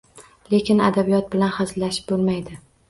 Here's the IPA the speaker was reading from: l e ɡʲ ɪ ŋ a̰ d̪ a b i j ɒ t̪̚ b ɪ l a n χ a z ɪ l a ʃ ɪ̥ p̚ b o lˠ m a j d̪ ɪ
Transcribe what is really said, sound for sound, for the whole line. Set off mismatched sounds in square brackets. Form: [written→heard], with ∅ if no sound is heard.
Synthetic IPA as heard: l e [ɡʲ→kʲ] ɪ [ŋ→n] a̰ d̪ a b i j ɒ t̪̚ b ɪ l a n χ a z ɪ l a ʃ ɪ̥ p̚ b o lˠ m a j d̪ ɪ